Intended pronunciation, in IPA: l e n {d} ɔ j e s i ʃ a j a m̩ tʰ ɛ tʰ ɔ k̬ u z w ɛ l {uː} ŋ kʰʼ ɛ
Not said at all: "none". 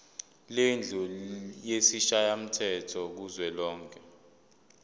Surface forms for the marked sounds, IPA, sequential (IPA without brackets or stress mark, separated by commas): d͡ɮʱ, ɔː